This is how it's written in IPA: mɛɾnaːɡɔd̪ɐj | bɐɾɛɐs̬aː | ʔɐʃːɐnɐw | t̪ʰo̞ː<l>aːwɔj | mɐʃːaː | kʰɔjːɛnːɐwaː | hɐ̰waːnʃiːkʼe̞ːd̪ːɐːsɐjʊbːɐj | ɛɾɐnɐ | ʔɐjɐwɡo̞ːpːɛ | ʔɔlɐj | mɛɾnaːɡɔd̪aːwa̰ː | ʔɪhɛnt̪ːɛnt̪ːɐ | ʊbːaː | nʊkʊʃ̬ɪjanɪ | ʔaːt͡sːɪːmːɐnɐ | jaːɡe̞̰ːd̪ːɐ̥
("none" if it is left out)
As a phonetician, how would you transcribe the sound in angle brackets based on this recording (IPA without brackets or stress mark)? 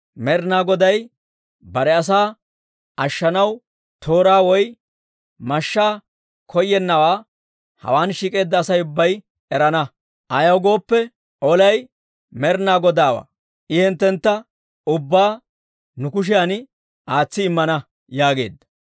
ɾ